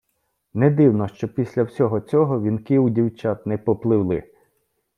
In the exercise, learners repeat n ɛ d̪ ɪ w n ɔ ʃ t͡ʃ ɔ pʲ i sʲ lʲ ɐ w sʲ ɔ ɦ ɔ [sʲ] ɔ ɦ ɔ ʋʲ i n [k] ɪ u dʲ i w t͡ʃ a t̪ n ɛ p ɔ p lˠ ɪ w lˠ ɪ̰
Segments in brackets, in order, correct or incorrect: incorrect, correct

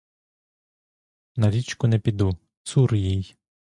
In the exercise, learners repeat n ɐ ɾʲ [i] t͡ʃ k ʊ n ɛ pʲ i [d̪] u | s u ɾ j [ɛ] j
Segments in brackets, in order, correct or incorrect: correct, correct, incorrect

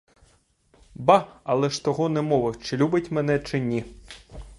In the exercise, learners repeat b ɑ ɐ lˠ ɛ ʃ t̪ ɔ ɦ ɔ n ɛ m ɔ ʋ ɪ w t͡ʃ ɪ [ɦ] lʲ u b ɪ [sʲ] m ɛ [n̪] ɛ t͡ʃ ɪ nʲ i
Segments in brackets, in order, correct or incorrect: incorrect, incorrect, correct

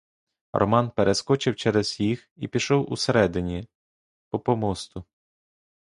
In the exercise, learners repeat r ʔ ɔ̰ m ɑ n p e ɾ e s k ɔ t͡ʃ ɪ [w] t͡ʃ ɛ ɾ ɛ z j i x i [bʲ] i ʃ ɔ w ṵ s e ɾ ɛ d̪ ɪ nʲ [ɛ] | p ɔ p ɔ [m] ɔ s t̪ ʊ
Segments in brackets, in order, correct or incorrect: correct, incorrect, incorrect, correct

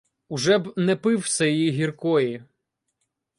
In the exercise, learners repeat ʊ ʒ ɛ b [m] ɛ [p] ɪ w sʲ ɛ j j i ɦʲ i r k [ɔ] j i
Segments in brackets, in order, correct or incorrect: incorrect, correct, correct

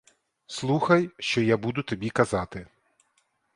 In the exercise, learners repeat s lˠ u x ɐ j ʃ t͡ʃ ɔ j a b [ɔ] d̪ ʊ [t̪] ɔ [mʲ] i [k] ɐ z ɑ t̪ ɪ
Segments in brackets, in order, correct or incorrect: incorrect, correct, incorrect, correct

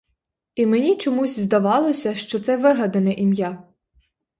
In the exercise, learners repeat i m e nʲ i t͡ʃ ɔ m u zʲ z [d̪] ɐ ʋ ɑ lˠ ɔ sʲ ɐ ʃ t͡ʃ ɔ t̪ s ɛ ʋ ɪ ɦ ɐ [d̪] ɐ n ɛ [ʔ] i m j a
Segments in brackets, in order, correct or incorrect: correct, correct, correct

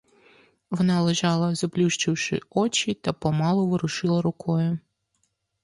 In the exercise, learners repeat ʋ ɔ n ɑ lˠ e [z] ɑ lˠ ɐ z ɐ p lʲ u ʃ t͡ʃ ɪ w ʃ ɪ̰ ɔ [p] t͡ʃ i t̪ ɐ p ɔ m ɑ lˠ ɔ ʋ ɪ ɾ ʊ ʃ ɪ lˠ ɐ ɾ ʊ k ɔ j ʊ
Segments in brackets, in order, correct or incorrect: incorrect, incorrect

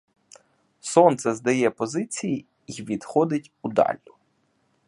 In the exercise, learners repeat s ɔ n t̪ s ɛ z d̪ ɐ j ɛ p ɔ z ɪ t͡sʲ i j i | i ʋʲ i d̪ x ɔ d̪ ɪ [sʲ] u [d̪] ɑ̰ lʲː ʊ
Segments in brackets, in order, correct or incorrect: incorrect, correct

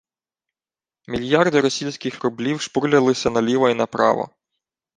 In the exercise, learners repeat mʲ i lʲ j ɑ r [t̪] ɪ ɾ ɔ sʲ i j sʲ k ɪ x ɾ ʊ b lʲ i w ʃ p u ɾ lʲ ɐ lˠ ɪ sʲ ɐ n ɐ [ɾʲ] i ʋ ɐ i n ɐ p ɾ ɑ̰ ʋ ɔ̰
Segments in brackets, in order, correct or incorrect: incorrect, incorrect

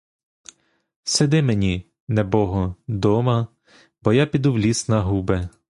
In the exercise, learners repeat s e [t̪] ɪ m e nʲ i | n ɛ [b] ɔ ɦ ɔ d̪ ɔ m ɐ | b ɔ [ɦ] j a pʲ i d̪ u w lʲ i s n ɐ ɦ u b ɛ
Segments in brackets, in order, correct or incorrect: incorrect, correct, incorrect

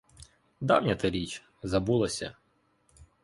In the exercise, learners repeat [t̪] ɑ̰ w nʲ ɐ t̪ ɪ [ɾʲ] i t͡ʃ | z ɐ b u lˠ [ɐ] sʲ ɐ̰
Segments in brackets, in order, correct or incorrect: incorrect, correct, correct

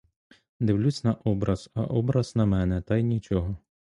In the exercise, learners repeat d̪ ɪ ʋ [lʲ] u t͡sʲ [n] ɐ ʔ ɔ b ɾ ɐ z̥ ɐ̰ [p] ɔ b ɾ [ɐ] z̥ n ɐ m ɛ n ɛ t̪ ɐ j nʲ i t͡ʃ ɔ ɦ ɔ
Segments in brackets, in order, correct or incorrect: correct, correct, incorrect, correct

